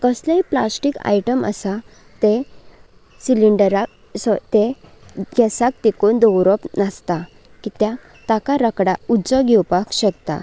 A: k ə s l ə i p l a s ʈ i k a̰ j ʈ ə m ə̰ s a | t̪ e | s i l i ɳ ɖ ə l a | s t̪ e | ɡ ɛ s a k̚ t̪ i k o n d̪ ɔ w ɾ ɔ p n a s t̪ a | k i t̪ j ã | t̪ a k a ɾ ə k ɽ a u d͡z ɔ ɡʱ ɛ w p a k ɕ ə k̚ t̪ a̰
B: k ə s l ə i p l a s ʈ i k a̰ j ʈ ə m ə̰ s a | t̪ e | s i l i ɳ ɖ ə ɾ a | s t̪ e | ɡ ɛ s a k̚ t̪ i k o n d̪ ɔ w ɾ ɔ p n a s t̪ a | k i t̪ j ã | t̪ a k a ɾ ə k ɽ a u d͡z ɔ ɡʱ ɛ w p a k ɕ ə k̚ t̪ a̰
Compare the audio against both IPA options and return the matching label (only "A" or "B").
B